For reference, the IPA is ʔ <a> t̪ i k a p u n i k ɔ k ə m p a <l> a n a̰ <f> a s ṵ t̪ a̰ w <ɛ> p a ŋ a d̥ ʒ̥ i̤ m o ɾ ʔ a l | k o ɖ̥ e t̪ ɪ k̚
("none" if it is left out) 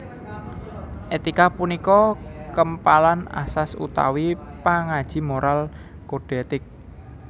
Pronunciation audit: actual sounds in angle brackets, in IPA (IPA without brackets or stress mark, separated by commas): e, l, s, i